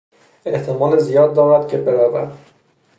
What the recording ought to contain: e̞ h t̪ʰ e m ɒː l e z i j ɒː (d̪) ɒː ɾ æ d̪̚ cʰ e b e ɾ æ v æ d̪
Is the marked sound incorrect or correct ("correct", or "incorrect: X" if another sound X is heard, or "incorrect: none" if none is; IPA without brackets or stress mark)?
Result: incorrect: d̪ː